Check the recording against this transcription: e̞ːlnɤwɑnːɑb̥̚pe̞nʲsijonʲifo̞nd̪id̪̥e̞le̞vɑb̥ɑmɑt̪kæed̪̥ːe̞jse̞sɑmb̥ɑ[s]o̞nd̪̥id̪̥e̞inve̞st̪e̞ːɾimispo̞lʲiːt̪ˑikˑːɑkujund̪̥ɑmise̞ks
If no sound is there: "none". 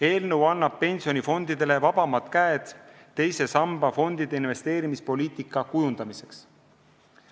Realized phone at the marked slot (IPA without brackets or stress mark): f